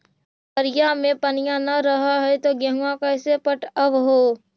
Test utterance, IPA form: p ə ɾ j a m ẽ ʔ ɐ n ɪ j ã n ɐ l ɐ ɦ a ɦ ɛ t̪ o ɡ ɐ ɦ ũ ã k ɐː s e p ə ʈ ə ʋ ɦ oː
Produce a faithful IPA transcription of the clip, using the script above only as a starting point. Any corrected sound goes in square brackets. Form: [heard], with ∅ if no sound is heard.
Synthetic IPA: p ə ɾ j a m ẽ [p] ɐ n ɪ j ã n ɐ [ɾ] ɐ ɦ a ɦ ɛ t̪ o ɡ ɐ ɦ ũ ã k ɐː s e p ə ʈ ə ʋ ɦ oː

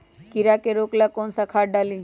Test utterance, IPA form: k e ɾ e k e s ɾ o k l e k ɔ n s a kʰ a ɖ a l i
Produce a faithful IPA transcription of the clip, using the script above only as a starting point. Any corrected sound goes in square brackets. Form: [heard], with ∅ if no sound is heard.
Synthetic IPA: k [i] ɾ [a] k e [∅] ɾ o k l [a] k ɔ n s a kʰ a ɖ a l i

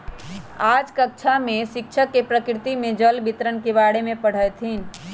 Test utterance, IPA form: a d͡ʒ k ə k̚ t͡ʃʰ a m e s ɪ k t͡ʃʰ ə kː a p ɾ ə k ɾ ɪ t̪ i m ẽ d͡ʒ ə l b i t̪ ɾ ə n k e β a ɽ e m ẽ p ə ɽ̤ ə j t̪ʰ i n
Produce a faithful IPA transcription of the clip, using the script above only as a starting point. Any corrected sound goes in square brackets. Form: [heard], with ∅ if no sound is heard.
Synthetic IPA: a d͡ʒ k ə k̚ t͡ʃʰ a m e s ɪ k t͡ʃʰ ə kː [e] p ɾ ə k ɾ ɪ t̪ i m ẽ d͡ʒ ə l b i t̪ ɾ ə n k e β a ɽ e m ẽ p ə ɽ̤ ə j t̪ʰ i n

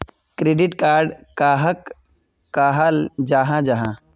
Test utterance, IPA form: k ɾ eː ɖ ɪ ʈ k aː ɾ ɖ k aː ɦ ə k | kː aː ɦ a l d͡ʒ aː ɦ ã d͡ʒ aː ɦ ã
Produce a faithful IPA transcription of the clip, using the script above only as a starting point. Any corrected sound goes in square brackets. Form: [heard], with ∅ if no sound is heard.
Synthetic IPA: k ɾ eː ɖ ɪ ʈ k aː ɾ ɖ k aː ɦ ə k | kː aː ɦ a l d͡ʒ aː ɦ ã d͡ʒ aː ɦ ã

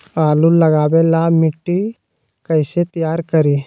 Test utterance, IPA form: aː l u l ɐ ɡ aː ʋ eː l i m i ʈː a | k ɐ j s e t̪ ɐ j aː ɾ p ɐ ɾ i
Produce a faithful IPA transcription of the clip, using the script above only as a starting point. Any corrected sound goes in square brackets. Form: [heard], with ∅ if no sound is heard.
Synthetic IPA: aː l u l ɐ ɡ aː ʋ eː l [a] m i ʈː [i] | k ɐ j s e t̪ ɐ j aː ɾ [k] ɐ ɾ i

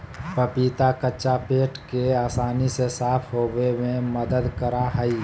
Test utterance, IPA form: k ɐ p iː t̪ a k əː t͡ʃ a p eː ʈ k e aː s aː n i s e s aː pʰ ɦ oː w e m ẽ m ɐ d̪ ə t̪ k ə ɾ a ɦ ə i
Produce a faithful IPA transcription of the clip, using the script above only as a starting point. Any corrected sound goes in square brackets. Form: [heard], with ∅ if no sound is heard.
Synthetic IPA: [p] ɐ p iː t̪ a k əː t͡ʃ a p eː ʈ k e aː s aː n i s e s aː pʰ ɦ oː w e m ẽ m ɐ d̪ ə [d̪] k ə ɾ a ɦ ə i

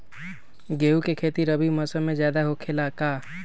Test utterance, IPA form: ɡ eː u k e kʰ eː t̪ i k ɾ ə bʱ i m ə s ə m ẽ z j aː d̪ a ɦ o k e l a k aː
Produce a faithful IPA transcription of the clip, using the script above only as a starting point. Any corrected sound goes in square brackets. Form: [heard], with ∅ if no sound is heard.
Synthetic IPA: ɡ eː u k e kʰ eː t̪ i [∅] ɾ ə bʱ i m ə s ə m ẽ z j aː d̪ a ɦ o [kʰ] e l a k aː

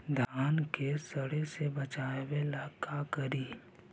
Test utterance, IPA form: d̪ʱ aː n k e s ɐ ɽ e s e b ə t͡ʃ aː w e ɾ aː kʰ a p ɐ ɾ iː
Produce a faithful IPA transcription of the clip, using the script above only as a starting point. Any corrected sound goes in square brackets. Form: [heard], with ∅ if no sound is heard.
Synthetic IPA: d̪ʱ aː n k e s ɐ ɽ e s e b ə t͡ʃ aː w e [l] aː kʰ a [k] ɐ ɾ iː

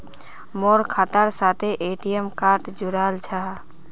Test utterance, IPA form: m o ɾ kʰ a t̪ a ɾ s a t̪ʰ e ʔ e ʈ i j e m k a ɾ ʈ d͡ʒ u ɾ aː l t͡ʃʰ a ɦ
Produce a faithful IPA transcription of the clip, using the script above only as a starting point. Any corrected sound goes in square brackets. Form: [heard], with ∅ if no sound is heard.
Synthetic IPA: m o ɾ kʰ a t̪ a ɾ s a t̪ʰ e ʔ e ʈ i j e m k a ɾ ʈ d͡ʒ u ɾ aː l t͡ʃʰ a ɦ

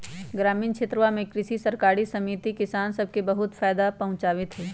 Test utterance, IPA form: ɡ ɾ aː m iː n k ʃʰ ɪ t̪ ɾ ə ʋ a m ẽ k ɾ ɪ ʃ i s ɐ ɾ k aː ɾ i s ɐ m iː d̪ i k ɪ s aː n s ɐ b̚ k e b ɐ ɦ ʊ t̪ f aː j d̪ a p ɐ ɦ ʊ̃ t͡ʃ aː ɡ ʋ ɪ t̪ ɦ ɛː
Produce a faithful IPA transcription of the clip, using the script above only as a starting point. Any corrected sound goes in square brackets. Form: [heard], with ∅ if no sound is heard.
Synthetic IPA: ɡ ɾ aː m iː n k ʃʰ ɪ t̪ ɾ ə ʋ a m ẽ k ɾ ɪ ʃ i s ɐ ɾ k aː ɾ i s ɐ m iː [t̪] i k ɪ s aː n s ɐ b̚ k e b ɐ ɦ ʊ t̪ f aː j d̪ a p ɐ ɦ ʊ̃ t͡ʃ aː [∅] ʋ ɪ t̪ ɦ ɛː

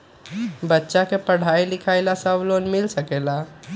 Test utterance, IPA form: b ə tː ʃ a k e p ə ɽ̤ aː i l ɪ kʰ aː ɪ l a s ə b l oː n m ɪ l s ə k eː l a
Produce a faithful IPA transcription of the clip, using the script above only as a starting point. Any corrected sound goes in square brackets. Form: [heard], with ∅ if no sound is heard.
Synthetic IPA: b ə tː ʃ a k e p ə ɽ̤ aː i l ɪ kʰ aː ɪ l a s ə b l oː n m ɪ l s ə k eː l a

